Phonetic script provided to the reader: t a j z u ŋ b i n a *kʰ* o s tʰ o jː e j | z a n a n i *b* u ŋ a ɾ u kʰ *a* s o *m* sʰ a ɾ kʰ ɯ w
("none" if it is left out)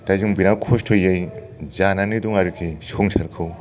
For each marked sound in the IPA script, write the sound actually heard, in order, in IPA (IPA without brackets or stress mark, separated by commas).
kʰ, d, i, ŋ